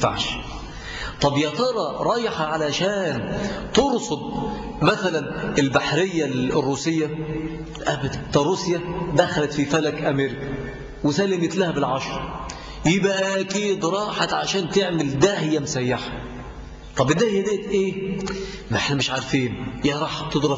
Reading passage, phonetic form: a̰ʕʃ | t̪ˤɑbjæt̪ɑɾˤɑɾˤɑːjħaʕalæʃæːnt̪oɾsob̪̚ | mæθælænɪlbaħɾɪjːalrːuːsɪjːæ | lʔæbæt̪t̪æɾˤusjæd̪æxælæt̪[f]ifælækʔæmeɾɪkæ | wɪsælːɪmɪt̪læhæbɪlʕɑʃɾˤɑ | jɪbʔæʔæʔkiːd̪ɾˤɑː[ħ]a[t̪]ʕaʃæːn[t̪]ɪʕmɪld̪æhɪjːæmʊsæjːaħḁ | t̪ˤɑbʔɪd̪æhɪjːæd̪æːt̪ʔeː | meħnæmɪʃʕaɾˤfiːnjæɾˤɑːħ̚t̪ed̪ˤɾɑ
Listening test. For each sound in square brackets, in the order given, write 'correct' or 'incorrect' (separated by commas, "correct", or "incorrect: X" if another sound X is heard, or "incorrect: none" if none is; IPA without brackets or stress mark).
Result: correct, correct, correct, correct